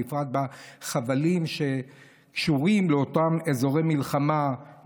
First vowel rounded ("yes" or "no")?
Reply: no